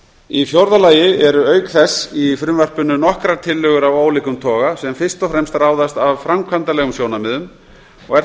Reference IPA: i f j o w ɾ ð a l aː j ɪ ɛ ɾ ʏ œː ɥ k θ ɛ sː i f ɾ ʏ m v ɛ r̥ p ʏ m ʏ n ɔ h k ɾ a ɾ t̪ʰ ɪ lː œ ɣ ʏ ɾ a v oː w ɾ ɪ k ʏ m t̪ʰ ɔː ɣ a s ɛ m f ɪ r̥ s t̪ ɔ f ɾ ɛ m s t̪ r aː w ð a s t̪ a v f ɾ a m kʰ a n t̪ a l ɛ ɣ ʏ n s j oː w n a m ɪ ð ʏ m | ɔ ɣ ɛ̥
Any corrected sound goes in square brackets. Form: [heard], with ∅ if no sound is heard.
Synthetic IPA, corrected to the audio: i f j o w ɾ ð a l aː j ɪ ɛ ɾ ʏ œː ɥ k θ ɛ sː i f ɾ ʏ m v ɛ r̥ p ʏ [n] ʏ n ɔ h k ɾ a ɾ t̪ʰ ɪ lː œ ɣ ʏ ɾ a v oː w [l] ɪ k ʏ m t̪ʰ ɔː ɣ a s ɛ m f ɪ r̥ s t̪ ɔ f ɾ ɛ m s t̪ r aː w ð a s t̪ a v f ɾ a m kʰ a n t̪ a l ɛ ɣ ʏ [m] s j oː w n a m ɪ ð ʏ m | ɔ ɣ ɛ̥